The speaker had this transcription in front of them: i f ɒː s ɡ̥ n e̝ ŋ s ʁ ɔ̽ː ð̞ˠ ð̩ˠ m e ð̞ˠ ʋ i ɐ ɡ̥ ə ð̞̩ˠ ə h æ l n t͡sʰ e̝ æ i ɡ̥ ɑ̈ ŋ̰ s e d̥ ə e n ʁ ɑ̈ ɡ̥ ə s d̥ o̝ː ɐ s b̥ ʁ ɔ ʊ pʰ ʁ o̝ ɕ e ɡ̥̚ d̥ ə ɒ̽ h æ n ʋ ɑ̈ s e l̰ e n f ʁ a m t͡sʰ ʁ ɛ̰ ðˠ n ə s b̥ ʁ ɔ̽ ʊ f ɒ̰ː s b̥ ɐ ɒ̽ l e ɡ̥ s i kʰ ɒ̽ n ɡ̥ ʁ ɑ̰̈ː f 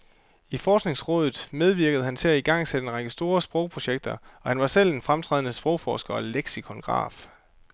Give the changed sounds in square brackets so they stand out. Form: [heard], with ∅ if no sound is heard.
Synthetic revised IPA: i f ɒː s ɡ̥ n e̝ ŋ s ʁ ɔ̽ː ð̞ˠ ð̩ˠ m e ð̞ˠ ʋ i ɐ ɡ̥ ə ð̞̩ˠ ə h æ [∅] n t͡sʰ e̝ æ i ɡ̥ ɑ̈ ŋ̰ s e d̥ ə e n ʁ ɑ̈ ɡ̥ ə s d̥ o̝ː ɐ s b̥ ʁ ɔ ʊ pʰ ʁ o̝ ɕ e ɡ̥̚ d̥ [ɐ] ɒ̽ h æ n ʋ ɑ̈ s e l̰ e n f ʁ a m t͡sʰ ʁ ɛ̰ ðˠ n ə s b̥ ʁ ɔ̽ ʊ f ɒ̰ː s [ɡ̥] ɐ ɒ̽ l e ɡ̥ s i kʰ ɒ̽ n ɡ̥ ʁ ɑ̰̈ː f